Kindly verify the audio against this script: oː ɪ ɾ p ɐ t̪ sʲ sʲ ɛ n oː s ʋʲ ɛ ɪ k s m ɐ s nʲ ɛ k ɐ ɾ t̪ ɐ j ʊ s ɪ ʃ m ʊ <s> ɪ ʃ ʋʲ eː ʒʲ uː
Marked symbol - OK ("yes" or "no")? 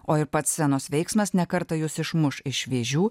no